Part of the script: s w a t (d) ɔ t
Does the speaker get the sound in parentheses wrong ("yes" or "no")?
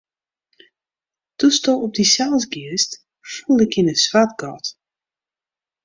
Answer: yes